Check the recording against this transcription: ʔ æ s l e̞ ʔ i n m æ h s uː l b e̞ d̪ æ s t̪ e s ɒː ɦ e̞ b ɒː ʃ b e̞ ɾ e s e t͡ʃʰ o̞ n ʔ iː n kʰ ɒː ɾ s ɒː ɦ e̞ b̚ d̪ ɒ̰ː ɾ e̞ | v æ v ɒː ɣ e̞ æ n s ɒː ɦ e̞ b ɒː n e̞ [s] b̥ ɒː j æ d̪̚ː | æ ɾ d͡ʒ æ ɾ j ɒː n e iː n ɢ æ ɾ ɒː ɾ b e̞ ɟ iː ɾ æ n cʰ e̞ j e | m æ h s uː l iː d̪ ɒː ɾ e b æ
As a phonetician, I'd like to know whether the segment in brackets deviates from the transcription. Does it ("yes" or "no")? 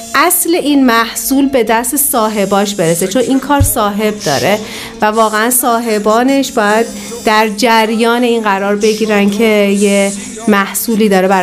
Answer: yes